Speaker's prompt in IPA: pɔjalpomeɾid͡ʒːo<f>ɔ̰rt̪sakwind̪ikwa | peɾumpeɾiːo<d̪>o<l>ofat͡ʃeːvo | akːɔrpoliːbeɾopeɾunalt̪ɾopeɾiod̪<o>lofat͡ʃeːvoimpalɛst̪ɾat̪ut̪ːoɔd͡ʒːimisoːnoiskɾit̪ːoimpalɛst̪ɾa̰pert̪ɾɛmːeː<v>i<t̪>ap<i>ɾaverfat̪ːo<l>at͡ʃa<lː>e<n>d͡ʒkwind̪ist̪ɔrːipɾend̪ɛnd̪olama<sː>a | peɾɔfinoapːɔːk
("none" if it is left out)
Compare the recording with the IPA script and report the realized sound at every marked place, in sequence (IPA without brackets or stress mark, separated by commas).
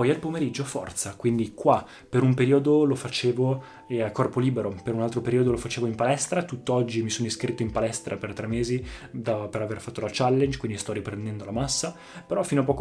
f, d̪, l, o, z, d̪, e, l, lː, n, sː